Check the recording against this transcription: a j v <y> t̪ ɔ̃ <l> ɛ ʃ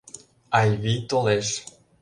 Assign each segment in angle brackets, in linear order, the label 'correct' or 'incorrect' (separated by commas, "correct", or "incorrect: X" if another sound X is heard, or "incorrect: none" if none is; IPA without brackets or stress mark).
incorrect: i, correct